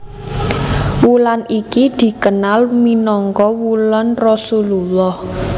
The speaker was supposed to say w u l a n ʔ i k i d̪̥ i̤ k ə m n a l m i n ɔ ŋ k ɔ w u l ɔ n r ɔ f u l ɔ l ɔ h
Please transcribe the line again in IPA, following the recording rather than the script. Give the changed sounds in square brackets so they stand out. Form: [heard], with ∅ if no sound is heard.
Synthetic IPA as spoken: w u l a n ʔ i k i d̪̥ i̤ k ə [∅] n a l m i n ɔ ŋ k ɔ w u l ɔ n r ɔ [s] u l [u] l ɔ h